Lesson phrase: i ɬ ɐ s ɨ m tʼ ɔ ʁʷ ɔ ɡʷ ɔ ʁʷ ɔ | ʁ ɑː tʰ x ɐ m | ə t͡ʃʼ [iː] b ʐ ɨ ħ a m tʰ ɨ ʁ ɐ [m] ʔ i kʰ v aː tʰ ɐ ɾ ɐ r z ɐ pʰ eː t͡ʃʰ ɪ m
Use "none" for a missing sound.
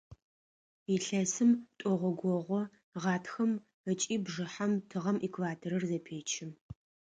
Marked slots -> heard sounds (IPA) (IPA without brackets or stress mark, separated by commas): iː, m